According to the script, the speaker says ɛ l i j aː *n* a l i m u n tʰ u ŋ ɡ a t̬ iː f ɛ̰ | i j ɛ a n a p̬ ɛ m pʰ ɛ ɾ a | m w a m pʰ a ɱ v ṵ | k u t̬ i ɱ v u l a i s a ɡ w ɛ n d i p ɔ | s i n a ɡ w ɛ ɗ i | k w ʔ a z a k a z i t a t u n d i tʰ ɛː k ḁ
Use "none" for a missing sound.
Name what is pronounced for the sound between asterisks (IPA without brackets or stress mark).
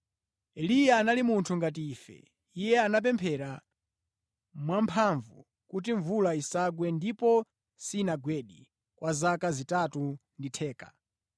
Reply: n